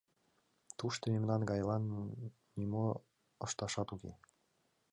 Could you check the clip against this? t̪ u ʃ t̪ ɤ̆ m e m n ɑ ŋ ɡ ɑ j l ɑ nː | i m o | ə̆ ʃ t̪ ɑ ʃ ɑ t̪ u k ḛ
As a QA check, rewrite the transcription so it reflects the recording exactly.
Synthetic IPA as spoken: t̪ u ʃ t̪ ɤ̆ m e m n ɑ n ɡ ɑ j l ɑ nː | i m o | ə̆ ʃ t̪ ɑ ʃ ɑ t̪ u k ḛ